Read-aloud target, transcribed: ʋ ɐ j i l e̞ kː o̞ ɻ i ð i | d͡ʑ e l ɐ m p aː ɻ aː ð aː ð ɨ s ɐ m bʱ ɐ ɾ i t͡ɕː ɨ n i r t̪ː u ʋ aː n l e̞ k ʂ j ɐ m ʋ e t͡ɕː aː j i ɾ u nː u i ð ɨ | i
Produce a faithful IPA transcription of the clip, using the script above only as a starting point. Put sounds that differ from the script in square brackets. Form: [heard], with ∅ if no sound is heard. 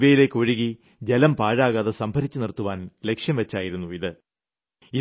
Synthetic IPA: ʋ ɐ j i l e̞ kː o̞ ɻ i [ɣ] i | d͡ʑ e l ɐ m p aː ɻ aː [ɣ] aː ð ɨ s ɐ m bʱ ɐ ɾ i t͡ɕː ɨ n i r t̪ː u ʋ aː n l e̞ k ʂ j ɐ m ʋ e t͡ɕː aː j i ɾ u nː u i ð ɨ | i